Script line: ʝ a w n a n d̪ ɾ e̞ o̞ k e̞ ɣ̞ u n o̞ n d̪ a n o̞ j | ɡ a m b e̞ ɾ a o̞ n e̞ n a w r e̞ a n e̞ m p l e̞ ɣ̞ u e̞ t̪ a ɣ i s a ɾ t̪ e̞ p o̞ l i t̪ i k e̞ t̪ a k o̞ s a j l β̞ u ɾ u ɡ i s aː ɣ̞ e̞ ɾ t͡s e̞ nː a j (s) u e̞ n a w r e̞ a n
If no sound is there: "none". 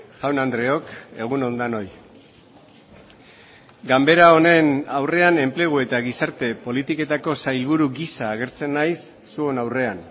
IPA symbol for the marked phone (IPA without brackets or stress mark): sː